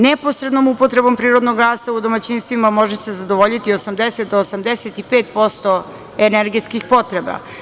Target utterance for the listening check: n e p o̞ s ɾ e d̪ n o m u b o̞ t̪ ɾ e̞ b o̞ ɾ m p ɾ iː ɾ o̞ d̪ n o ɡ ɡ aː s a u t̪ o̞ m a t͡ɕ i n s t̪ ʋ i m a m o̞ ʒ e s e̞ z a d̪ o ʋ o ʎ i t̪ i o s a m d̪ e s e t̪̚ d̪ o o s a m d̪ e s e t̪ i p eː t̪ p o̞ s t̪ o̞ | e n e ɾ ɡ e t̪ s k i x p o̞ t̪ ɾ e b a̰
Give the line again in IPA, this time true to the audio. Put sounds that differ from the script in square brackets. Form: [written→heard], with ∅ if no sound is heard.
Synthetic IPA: n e p o̞ s ɾ e d̪ n o m u [b→p] o̞ t̪ ɾ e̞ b o̞ [ɾ→∅] m p ɾ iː ɾ o̞ d̪ n o ɡ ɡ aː s a u [t̪→d̪] o̞ m a t͡ɕ i n s t̪ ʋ i m a m o̞ ʒ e s e̞ z a d̪ o ʋ o ʎ i t̪ i o s a m d̪ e s e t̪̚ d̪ o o s a m d̪ e s e t̪ i p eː t̪ p o̞ s t̪ o̞ | e n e ɾ ɡ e t̪ s k i x p o̞ t̪ ɾ e b a̰